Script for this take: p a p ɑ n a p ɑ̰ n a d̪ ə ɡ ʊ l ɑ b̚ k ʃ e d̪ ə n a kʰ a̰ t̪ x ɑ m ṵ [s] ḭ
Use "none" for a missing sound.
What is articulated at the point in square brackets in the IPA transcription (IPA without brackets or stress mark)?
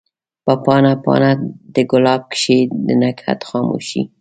ʃ